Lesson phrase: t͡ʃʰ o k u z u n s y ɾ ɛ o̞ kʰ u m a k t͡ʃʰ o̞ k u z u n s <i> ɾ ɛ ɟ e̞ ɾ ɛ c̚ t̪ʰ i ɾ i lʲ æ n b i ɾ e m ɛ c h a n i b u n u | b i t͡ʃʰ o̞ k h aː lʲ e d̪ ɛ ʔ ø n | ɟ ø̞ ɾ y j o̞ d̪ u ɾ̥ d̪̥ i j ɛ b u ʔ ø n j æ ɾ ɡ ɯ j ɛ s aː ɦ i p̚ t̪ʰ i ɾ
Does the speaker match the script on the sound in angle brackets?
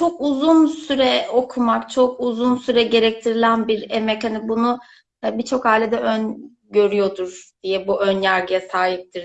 no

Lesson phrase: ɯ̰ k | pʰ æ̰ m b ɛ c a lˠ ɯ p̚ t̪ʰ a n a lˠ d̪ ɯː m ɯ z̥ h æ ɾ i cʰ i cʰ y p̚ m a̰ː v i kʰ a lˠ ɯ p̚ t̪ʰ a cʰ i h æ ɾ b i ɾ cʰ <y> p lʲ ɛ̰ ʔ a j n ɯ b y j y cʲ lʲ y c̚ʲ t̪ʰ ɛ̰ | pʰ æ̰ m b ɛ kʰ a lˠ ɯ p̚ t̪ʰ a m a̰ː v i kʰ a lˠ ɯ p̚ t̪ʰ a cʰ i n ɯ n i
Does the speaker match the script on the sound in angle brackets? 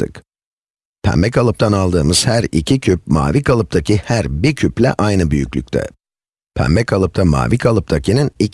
yes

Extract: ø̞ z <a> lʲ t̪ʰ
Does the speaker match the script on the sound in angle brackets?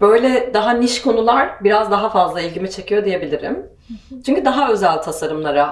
no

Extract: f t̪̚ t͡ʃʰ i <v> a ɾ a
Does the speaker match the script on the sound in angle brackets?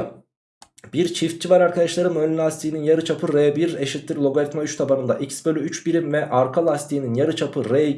yes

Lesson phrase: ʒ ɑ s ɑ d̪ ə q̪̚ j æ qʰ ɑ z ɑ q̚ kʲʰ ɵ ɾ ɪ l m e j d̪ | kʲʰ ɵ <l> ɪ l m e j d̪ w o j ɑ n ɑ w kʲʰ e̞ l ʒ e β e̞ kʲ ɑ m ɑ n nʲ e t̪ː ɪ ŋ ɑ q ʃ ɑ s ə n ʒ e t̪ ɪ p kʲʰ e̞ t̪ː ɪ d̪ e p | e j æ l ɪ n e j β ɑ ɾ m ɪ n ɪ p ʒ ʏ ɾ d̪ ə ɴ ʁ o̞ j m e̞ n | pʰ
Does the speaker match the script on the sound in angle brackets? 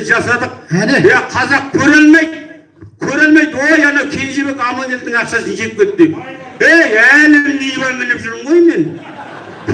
no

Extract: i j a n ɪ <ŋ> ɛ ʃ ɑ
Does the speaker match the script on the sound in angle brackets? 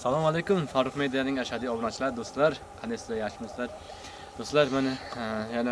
yes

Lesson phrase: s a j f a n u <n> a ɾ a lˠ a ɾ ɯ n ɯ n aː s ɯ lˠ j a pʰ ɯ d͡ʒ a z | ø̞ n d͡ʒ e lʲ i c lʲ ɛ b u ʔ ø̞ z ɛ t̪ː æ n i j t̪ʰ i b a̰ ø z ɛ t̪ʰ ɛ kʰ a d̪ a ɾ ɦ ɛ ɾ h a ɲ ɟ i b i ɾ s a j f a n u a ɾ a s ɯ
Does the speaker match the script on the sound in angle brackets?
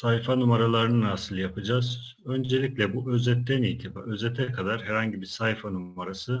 no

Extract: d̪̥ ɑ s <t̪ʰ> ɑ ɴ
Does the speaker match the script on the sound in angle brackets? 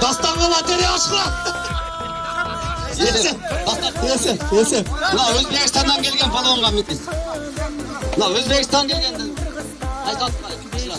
no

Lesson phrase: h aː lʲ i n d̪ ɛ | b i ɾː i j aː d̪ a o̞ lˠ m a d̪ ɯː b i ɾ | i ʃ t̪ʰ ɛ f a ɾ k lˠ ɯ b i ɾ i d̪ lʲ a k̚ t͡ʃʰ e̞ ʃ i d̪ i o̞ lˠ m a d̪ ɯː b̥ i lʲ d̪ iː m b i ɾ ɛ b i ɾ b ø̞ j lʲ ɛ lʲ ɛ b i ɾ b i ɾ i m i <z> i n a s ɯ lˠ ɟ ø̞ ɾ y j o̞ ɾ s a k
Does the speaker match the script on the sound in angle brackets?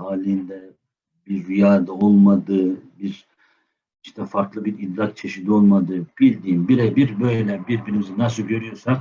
yes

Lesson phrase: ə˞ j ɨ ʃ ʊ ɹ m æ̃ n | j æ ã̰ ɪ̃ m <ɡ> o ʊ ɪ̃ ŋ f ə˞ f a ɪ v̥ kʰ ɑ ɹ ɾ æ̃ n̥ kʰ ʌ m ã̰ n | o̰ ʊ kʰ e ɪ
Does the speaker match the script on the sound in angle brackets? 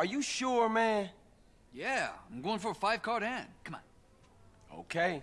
yes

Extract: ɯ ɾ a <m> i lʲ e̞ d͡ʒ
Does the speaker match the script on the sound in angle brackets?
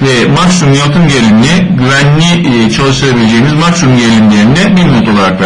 no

